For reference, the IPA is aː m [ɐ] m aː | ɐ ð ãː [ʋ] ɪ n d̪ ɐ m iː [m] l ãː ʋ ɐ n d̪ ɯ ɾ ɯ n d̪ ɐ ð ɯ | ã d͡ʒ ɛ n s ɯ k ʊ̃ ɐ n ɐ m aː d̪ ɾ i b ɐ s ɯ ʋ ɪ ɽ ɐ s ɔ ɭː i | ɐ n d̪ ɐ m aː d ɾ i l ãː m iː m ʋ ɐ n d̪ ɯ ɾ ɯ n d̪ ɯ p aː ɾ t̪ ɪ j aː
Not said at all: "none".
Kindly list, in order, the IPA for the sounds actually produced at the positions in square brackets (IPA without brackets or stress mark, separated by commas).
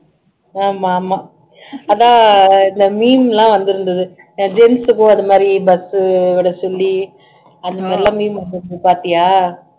a, none, m